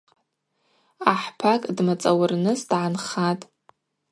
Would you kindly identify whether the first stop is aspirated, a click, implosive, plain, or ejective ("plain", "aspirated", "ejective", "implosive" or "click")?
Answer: aspirated